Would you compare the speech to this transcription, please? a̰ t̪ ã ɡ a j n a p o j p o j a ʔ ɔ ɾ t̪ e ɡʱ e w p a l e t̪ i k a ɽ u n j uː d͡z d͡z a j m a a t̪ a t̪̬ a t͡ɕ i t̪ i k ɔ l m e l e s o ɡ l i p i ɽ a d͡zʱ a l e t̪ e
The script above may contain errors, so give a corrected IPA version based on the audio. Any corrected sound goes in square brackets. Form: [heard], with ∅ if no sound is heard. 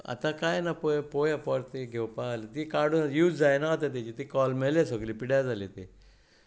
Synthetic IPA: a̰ t̪ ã [k] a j n a p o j p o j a [p] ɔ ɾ t̪ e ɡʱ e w p a l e t̪ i k a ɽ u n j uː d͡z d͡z a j [n] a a t̪ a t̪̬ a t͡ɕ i t̪ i k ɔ l m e l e s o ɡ l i p i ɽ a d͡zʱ a l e t̪ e